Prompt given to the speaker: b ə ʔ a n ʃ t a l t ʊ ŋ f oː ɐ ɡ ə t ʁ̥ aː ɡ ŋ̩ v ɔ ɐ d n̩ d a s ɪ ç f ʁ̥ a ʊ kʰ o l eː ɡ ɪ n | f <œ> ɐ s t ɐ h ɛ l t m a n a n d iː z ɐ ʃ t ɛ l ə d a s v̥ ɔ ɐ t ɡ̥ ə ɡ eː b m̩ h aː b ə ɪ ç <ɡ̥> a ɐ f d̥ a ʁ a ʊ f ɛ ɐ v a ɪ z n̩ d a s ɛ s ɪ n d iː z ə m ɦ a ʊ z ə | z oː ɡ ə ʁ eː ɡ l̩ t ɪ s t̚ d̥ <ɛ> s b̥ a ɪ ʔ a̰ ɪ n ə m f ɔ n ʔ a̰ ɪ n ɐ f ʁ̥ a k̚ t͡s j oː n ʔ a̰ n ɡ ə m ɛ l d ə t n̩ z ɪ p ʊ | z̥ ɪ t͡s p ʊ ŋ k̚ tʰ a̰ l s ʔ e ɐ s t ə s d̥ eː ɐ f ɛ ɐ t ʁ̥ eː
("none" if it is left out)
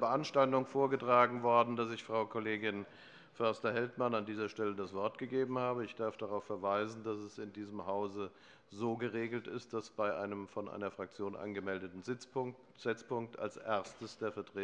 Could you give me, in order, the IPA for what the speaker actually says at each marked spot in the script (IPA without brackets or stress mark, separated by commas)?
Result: œ, d̥, a